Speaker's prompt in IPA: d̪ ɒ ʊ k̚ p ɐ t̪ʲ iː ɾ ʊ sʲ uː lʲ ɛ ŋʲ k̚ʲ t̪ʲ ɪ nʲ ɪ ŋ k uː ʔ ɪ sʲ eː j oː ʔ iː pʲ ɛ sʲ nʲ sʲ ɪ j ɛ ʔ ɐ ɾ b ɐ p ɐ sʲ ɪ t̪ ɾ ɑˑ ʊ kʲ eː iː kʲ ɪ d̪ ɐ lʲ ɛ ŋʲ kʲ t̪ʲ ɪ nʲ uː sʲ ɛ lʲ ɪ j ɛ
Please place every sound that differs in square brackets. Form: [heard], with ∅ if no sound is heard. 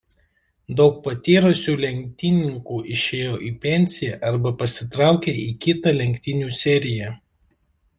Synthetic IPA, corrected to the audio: d̪ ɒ ʊ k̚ p ɐ t̪ʲ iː ɾ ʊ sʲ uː lʲ ɛ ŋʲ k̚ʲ t̪ʲ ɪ nʲ ɪ ŋ k uː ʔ ɪ [ʃʲ] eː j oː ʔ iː pʲ ɛ [∅] nʲ sʲ ɪ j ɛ ʔ ɐ ɾ b ɐ p ɐ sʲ ɪ t̪ ɾ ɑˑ ʊ kʲ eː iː kʲ ɪ [t̪] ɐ lʲ ɛ ŋʲ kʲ t̪ʲ ɪ nʲ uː sʲ ɛ [ɾʲ] ɪ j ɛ